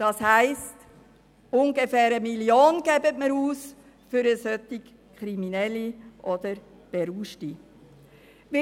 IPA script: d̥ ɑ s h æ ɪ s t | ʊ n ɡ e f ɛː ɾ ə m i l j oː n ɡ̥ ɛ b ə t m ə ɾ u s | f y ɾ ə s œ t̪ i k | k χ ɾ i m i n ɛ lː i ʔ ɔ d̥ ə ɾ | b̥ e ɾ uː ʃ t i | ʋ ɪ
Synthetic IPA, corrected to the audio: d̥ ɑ s h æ ɪ s t | ʊ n ɡ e f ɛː ɾ ə m i l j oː n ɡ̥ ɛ b ə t m ə ɾ uː s | f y ɾ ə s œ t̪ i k | k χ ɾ i m i n ɛ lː i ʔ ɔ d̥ ə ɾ | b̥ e ɾ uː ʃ t i | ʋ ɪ